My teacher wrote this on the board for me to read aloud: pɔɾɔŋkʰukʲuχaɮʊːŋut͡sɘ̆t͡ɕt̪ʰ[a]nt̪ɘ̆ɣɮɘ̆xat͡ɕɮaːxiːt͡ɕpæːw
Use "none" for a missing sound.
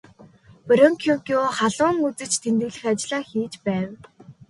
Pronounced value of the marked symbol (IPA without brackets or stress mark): e